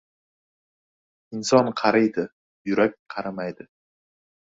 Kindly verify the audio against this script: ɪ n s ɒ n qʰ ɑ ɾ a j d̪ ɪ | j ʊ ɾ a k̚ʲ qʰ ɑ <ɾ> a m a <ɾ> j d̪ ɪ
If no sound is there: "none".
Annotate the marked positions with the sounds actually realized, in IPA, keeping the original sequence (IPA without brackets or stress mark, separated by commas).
ɾ, none